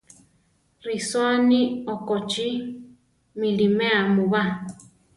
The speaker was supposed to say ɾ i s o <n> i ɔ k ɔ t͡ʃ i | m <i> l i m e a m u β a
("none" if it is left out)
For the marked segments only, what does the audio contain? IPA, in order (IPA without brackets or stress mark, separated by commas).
n, i